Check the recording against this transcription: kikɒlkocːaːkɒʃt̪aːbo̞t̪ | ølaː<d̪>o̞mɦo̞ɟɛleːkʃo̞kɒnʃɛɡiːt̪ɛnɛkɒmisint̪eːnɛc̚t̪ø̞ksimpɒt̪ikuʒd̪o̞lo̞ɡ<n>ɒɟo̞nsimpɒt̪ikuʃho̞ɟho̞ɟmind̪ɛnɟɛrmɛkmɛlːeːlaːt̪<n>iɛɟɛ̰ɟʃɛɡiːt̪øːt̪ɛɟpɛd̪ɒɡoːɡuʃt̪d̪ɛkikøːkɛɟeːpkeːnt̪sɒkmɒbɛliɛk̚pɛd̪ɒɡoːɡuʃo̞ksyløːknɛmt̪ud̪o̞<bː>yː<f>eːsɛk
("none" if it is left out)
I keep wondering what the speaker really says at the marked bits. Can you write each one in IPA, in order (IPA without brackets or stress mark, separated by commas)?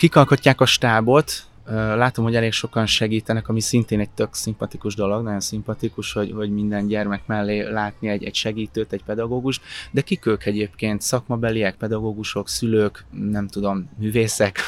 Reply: t̪, n, n, mː, v